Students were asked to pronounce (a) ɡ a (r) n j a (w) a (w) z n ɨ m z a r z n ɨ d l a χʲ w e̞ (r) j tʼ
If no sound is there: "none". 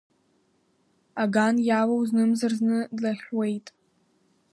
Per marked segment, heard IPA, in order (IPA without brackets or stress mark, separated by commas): a, none, w, w, none